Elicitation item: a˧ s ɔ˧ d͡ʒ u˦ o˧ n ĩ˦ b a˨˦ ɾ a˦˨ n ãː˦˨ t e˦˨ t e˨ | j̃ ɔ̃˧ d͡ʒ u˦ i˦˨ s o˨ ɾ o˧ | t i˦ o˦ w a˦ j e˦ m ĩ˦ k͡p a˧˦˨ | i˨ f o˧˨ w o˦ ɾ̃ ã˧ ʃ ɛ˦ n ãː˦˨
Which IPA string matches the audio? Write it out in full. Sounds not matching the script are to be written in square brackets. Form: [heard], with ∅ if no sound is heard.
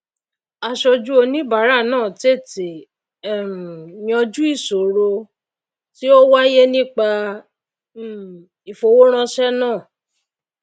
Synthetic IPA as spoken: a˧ [ʃ] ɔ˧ d͡ʒ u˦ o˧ n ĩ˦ b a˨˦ ɾ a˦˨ n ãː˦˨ t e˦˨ t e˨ | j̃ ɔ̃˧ d͡ʒ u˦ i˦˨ s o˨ ɾ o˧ | t i˦ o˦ w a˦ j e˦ [n] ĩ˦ k͡p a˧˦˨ | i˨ f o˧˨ w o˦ ɾ̃ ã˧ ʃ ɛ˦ n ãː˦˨